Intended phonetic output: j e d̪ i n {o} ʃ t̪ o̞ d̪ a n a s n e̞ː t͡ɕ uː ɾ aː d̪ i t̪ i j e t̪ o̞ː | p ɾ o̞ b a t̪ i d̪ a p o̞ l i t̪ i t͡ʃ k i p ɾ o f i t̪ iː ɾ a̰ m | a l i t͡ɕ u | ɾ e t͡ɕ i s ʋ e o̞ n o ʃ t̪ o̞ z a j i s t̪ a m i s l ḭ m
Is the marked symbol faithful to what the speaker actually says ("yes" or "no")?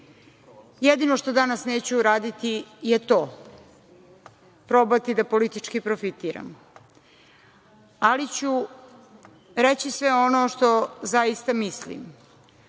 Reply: yes